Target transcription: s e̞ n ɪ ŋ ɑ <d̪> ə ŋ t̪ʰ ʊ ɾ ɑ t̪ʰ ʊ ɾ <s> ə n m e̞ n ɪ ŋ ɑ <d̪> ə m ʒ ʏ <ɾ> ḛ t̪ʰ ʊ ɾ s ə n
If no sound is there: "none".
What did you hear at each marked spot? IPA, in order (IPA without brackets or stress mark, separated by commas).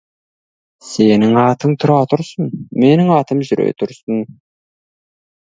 t̪, s, t̪, ɾ